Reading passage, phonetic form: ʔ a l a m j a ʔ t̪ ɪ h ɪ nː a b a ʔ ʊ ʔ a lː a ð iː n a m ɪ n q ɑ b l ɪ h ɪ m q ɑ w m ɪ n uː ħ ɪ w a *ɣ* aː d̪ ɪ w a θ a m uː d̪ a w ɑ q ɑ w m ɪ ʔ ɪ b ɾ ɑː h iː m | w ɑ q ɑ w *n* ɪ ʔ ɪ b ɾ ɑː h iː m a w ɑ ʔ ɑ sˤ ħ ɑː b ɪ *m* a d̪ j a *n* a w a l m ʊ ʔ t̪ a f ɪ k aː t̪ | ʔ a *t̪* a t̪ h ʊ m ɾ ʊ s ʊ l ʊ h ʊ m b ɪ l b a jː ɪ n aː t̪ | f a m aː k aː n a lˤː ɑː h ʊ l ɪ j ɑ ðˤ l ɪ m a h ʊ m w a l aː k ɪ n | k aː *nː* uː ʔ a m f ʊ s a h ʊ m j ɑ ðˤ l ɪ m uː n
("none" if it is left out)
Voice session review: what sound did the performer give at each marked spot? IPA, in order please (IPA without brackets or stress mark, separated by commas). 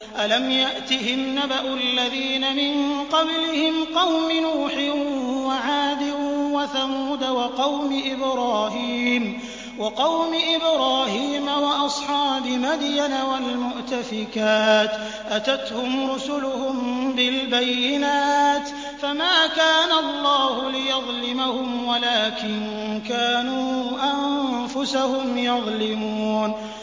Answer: ʕ, m, m, n, t̪, n